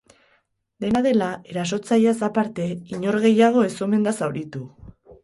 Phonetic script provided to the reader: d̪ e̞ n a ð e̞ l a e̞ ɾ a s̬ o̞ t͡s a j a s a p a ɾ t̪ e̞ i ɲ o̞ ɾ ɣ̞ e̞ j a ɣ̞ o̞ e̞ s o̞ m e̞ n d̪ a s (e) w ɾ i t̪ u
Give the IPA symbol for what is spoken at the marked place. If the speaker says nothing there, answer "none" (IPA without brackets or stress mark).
a